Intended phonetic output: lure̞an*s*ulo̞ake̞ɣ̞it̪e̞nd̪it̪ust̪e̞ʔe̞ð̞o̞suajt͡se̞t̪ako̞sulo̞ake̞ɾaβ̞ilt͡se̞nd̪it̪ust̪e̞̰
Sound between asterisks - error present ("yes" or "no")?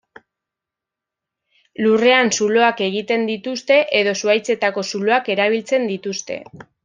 no